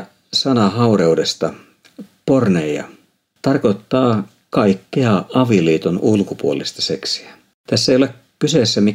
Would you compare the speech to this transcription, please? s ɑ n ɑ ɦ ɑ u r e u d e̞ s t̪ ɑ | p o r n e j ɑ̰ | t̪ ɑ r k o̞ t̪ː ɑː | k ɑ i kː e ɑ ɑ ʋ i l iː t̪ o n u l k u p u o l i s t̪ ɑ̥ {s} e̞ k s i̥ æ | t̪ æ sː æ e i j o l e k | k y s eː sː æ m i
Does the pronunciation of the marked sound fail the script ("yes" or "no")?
no